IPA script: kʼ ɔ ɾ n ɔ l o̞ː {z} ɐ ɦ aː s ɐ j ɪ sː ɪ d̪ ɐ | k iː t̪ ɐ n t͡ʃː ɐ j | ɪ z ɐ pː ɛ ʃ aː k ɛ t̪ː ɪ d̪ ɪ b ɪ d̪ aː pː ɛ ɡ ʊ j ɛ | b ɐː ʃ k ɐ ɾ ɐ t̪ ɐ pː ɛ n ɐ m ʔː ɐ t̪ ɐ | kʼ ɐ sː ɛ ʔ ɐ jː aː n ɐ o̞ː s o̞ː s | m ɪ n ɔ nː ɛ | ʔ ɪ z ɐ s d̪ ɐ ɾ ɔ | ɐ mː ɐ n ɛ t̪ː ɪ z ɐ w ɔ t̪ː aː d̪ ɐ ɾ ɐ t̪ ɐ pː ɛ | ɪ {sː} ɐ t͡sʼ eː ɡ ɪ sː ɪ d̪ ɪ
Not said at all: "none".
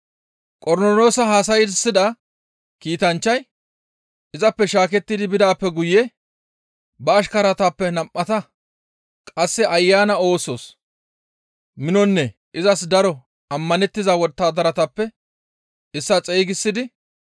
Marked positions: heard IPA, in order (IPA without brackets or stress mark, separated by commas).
s, sː